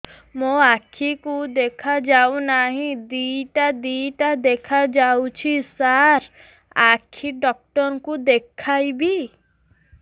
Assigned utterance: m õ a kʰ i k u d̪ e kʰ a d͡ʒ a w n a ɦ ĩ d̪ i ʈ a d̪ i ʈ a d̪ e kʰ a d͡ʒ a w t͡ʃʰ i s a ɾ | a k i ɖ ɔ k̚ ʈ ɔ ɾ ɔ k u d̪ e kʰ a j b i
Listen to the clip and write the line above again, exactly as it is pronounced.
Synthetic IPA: m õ a kʰ i k u d̪ e kʰ a d͡ʒ a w n a ɦ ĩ d̪ i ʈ a d̪ i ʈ a d̪ e kʰ a d͡ʒ a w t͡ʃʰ i s a ɾ | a kʰ i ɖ ɔ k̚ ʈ ɔ ɾ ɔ k u d̪ e kʰ a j b i